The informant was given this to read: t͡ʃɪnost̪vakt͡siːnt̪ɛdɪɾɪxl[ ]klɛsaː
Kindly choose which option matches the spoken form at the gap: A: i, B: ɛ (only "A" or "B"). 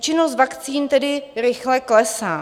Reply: B